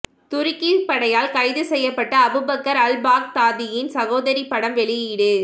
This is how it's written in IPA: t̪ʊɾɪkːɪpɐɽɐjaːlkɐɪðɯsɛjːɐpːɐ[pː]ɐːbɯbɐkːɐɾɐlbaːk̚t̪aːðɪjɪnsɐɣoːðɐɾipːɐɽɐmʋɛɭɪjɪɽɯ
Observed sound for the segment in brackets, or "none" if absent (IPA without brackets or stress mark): ʈː